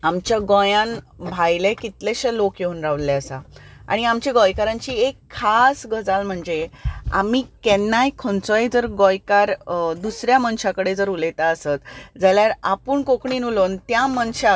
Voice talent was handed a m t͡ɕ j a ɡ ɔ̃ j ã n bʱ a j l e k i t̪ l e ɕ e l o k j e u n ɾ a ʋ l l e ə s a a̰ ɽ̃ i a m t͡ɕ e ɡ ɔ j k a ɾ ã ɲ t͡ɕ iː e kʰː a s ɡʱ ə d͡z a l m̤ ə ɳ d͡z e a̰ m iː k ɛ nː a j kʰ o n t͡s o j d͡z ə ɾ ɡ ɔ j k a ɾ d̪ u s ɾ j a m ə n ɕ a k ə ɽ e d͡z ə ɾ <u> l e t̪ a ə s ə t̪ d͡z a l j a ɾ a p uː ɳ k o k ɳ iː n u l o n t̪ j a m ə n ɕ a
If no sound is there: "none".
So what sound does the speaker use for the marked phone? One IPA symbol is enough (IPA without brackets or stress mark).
u